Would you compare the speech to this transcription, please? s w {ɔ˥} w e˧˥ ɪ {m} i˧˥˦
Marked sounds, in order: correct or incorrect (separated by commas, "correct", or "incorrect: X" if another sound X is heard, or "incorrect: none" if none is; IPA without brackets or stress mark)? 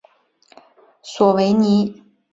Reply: incorrect: ɔ˨˩, incorrect: n